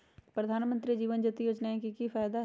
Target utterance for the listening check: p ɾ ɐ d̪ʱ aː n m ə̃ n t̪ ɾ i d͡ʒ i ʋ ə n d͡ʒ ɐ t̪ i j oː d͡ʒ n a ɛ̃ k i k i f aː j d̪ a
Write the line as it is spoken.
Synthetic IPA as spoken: p ɾ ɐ d̪ʱ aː n m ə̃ n t̪ ɾ i d͡ʒ iː ʋ ə n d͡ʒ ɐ t̪ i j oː d͡ʒ n a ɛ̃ k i k i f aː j d̪ a